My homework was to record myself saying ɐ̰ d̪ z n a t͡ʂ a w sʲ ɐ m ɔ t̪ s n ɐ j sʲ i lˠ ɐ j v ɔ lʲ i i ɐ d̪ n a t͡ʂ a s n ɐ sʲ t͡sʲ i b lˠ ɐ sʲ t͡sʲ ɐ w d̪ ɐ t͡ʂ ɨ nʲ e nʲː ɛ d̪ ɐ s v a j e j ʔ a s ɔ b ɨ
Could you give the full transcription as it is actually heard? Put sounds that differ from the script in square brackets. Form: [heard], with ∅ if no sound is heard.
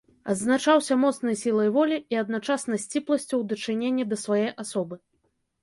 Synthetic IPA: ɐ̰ d̪ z n a t͡ʂ a w sʲ ɐ m ɔ t̪ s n ɐ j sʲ i lˠ ɐ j v ɔ lʲ i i ɐ d̪ n a t͡ʂ a s n ɐ sʲ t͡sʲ i [p] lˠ ɐ sʲ t͡sʲ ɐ w d̪ ɐ t͡ʂ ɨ nʲ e nʲː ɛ d̪ ɐ s v a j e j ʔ a s ɔ b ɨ